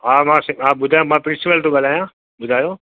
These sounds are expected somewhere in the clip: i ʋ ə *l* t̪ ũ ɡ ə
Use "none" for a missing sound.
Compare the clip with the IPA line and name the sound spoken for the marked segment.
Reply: l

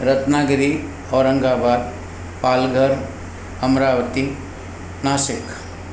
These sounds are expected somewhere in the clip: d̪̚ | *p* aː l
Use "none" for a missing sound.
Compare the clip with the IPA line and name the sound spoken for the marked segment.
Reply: p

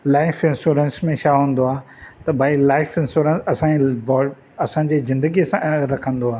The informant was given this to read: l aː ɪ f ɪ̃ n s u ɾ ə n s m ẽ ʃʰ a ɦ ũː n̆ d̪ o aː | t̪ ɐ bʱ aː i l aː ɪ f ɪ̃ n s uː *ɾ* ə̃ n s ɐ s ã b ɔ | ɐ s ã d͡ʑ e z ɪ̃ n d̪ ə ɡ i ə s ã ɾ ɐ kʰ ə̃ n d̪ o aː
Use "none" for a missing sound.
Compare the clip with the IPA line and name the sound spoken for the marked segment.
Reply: ɾ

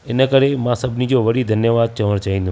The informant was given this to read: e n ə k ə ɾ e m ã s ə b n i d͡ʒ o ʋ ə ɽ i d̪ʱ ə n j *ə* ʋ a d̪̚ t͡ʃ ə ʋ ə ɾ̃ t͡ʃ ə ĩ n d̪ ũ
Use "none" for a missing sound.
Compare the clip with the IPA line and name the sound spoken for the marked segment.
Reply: ə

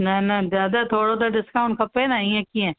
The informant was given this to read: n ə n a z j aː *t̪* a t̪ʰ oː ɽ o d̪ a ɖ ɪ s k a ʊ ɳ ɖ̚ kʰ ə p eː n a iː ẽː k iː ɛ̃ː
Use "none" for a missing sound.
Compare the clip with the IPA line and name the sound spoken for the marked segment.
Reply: d̪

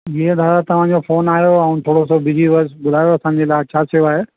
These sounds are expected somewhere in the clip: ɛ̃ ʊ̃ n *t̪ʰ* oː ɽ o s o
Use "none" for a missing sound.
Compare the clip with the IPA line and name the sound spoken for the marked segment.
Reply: t̪ʰ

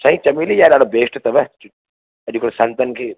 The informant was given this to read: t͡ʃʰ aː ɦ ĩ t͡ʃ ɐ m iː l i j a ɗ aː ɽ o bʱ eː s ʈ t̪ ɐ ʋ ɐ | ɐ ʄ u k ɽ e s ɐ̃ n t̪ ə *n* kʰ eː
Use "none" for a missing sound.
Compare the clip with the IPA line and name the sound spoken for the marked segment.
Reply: n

